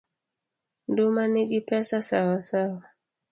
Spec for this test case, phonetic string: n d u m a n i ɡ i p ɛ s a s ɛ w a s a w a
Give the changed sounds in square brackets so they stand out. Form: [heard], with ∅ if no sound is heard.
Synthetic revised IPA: n d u m a n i ɡ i p ɛ s a s [a] w a s a w a